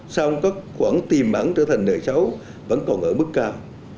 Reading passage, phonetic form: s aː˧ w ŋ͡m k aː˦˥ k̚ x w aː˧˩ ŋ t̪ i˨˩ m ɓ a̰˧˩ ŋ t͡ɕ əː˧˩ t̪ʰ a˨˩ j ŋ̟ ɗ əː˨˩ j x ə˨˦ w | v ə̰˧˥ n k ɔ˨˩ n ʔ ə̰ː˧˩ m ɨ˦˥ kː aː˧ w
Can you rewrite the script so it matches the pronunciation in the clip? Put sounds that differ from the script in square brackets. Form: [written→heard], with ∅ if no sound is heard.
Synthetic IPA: s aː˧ w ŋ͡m k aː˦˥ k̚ x w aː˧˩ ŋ t̪ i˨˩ m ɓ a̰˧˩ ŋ t͡ɕ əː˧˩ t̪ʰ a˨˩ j ŋ̟ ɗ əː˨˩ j [x→s] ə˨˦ w | v ə̰˧˥ n k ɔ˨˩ n ʔ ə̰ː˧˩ m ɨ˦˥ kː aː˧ w